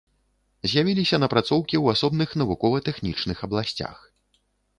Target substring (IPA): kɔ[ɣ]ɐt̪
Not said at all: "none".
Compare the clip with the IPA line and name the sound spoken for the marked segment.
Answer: v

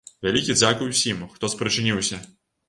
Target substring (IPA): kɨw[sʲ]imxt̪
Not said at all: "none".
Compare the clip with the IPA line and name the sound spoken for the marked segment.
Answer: sʲ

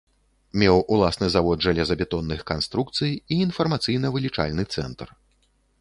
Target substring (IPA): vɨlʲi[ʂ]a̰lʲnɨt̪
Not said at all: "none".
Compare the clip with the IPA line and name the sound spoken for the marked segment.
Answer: t͡ʂ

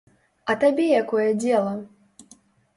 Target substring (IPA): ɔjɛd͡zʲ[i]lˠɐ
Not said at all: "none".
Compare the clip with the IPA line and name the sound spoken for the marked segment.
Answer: ɛ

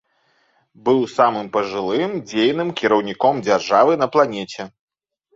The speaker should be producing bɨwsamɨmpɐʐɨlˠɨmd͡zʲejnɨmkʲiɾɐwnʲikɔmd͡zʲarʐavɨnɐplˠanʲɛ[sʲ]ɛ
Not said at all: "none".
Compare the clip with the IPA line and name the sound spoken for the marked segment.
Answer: t͡sʲ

